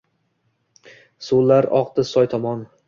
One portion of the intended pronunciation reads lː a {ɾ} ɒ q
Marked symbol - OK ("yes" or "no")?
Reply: yes